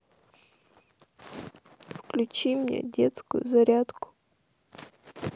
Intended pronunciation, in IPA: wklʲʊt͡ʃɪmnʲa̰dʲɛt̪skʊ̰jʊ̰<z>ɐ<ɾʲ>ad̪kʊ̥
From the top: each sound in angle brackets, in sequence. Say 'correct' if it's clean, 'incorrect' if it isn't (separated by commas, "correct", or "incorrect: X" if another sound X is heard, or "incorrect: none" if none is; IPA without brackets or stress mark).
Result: correct, correct